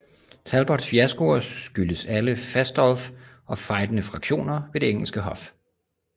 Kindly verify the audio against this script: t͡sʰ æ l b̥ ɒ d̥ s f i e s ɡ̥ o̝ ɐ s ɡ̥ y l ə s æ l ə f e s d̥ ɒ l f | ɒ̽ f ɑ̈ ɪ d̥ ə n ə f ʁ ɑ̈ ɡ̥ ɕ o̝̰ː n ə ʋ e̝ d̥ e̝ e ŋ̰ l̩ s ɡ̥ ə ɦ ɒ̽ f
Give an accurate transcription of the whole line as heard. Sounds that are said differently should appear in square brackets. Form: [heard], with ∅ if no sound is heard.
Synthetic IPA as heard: t͡sʰ æ l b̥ ɒ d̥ s f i [æ] s ɡ̥ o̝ ɐ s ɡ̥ y l ə s æ l ə f [æ] s d̥ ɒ l f | ɒ̽ f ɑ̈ ɪ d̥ ə n ə f ʁ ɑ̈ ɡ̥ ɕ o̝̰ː n [ɐ] ʋ e̝ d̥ e̝ e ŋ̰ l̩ s ɡ̥ ə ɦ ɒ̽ f

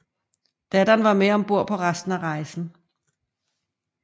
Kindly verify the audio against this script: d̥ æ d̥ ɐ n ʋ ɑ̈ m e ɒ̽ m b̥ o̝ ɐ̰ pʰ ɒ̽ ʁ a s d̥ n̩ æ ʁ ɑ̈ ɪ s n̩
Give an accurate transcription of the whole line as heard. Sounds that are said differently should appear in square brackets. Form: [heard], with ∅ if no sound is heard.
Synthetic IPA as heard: d̥ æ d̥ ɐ n ʋ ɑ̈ m e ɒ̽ m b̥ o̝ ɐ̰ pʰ ɒ̽ ʁ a s d̥ n̩ æ ʁ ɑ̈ ɪ s n̩

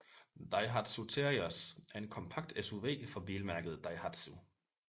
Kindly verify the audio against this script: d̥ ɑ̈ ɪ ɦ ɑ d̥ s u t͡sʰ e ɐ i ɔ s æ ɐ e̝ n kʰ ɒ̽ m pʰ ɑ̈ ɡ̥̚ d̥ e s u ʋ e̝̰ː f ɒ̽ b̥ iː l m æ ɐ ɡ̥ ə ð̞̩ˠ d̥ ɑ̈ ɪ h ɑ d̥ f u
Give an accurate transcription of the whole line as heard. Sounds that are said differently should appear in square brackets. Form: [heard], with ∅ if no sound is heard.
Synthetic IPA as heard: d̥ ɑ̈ ɪ ɦ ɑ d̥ s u t͡sʰ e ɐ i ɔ s æ ɐ e̝ n kʰ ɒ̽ m pʰ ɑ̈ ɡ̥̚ d̥ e s u ʋ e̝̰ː f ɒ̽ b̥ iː l m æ ɐ ɡ̥ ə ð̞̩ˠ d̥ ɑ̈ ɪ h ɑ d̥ [s] u

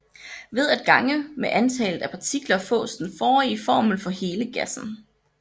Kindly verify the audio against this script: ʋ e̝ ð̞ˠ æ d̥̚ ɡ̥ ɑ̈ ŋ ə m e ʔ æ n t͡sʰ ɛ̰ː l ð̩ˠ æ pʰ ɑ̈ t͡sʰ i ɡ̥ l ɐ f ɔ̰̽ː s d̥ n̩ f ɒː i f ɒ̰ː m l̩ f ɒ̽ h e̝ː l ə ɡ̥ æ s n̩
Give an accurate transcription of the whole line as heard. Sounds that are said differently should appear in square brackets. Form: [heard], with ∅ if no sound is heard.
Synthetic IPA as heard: ʋ e̝ ð̞ˠ æ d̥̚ ɡ̥ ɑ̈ ŋ ə m e ʔ æ n t͡sʰ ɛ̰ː l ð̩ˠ æ pʰ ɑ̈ t͡sʰ i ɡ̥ l ɐ f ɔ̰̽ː s d̥ n̩ f ɒː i f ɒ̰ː m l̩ f ɒ̽ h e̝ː l ə ɡ̥ æ s n̩

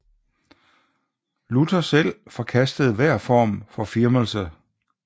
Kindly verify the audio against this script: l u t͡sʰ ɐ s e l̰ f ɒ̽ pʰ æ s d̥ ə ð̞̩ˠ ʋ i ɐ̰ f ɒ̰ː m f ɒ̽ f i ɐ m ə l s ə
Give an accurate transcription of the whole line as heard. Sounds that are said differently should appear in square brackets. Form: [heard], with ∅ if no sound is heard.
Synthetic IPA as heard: l u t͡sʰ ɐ s e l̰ f ɒ̽ [kʰ] æ s d̥ ə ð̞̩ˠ ʋ [æ] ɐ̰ f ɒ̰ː m f ɒ̽ f i ɐ m ə l s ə

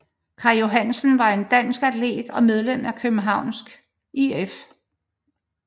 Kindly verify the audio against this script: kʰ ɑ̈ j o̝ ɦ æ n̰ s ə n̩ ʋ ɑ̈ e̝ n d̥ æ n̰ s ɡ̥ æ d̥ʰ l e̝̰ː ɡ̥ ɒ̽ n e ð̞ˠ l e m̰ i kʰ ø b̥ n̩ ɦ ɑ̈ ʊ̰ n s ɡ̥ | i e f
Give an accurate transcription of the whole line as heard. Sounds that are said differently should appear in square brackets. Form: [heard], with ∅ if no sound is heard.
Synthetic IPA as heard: kʰ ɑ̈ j o̝ ɦ æ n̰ s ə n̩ ʋ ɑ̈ e̝ n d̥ æ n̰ s ɡ̥ æ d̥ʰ l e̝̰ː [d̥] ɒ̽ [m] e ð̞ˠ l e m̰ [æ] kʰ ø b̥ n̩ ɦ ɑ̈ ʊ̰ n s ɡ̥ | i e f

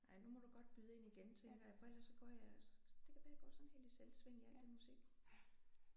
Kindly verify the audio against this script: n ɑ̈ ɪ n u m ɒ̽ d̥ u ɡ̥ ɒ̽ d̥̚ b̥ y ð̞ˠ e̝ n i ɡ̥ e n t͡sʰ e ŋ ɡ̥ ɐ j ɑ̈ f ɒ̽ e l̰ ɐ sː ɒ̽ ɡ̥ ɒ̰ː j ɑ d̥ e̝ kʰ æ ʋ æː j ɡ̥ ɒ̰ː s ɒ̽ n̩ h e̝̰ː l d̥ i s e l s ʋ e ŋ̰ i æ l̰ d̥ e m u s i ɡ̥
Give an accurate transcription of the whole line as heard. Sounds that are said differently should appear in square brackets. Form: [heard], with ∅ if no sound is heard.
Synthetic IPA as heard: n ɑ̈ ɪ n u m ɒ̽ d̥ u ɡ̥ ɒ̽ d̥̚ b̥ y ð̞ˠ e̝ n i ɡ̥ e n t͡sʰ e ŋ ɡ̥ ɐ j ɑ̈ f ɒ̽ e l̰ ɐ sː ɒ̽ ɡ̥ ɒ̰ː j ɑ d̥ e̝ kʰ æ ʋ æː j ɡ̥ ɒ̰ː s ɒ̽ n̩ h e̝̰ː l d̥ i s e l s ʋ e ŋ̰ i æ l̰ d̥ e m u s i ɡ̥

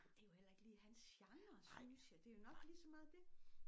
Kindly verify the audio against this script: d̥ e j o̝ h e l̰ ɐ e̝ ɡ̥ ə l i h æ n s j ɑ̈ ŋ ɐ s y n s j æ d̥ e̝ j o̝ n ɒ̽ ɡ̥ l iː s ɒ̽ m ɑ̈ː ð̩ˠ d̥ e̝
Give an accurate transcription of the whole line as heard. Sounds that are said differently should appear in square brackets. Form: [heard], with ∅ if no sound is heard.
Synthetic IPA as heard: d̥ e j o̝ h e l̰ ɐ e̝ ɡ̥ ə l [iː] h æ n s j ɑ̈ ŋ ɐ s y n s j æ d̥ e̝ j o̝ n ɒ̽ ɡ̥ l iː s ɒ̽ m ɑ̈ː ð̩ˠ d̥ e̝

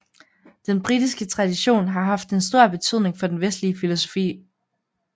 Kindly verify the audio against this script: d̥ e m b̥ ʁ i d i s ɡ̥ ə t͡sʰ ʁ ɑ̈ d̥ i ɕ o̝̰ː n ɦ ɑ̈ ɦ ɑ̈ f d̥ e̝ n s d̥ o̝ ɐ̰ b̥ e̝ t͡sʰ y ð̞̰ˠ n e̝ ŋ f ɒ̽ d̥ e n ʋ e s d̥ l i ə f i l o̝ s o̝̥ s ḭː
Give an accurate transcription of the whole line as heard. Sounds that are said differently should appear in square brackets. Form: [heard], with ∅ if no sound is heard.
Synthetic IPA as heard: d̥ e [n] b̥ ʁ i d i s ɡ̥ ə t͡sʰ ʁ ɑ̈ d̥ i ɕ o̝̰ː n ɦ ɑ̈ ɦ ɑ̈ f d̥ e̝ n s d̥ o̝ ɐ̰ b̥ e̝ t͡sʰ y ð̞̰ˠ n e̝ ŋ f ɒ̽ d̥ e n ʋ e s d̥ l i ə f i l o̝ s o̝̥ [f] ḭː

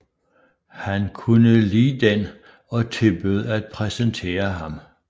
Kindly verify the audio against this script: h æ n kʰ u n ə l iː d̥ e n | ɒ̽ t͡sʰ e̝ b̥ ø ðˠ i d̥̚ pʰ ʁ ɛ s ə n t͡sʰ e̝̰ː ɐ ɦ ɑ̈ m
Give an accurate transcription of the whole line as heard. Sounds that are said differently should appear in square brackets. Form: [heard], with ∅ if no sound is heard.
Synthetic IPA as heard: h æ n kʰ u n ə l iː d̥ e n | ɒ̽ t͡sʰ e̝ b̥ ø ðˠ [æ] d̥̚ pʰ ʁ ɛ s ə n t͡sʰ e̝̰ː ɐ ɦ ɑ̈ m

